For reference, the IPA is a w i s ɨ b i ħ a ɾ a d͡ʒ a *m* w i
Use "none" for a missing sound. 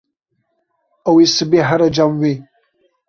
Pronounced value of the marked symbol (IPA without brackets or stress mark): m